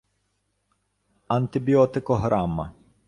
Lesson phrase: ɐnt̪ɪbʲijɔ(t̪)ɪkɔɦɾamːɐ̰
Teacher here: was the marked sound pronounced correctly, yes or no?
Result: yes